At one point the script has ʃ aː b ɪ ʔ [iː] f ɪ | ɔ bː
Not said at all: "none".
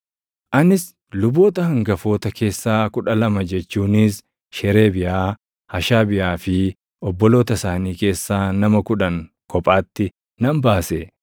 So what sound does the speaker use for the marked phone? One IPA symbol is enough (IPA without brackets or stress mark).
aː